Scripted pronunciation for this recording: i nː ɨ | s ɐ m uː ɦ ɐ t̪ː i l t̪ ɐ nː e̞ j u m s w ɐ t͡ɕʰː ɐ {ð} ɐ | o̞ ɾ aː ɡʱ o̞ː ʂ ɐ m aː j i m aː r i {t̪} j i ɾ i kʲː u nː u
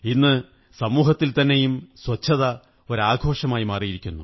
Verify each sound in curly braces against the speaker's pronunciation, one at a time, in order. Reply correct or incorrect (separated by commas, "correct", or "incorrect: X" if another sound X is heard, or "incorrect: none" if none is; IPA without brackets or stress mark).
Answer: correct, incorrect: none